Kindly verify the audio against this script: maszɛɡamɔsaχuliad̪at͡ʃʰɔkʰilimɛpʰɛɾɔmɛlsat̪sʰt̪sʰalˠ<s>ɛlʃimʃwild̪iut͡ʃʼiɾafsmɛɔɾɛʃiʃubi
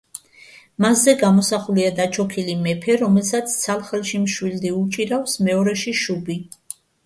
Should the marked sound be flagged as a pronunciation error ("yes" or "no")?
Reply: yes